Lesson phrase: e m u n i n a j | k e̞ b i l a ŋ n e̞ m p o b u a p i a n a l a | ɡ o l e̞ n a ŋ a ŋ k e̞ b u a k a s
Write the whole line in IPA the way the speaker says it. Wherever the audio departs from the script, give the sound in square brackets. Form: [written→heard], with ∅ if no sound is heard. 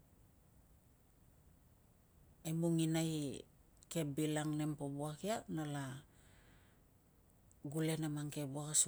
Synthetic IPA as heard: e m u [n→ŋ] i n a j | k e̞ b i l a ŋ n e̞ m p o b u a [p→k] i a n a l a | ɡ [o→u] l e̞ n a [ŋ→m] a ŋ k e̞ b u a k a s